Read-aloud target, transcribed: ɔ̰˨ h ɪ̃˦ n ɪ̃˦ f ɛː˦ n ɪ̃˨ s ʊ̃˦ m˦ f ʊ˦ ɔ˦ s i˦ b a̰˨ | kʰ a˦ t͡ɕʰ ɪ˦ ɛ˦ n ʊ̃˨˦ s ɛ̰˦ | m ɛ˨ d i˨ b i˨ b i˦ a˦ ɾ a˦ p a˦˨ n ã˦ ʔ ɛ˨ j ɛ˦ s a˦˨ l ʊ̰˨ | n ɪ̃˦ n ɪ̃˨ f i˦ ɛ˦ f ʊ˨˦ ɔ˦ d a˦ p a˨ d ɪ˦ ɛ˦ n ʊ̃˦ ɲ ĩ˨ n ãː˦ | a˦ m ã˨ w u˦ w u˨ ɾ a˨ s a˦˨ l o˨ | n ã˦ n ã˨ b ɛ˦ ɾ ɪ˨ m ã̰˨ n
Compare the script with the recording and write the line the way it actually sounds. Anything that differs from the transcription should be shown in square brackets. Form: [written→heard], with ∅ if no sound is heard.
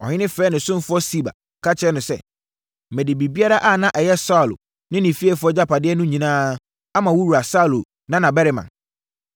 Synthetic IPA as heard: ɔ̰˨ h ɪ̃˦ n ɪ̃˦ f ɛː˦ n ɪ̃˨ s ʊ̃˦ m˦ f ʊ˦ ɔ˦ s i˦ b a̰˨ | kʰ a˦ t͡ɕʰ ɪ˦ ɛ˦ n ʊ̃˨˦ s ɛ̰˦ | m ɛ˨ d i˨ b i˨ b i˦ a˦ ɾ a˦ [p→ʔ] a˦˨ n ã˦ ʔ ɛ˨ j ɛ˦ s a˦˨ l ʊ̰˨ | n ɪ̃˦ n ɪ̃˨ f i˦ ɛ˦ f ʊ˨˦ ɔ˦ [d→d͡ʑ] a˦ p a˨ d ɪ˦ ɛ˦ n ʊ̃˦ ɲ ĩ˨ n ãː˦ | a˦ m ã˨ w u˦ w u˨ ɾ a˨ s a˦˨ l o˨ | n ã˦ n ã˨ b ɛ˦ ɾ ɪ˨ m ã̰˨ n